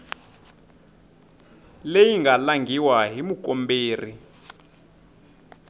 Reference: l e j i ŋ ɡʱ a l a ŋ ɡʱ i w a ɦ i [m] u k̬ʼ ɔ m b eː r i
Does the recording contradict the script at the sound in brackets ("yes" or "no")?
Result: no